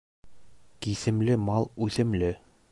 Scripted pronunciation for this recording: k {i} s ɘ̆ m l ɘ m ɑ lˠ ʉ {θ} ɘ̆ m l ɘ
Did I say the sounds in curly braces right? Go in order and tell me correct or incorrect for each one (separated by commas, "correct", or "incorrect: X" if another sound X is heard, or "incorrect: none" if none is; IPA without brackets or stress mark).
correct, correct